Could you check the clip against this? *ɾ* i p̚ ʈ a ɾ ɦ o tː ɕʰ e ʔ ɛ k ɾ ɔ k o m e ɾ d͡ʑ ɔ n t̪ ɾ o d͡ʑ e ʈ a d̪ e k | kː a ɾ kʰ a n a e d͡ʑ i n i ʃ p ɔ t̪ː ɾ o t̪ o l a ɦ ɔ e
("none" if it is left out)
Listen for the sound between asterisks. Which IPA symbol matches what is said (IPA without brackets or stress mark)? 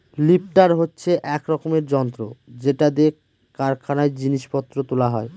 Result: l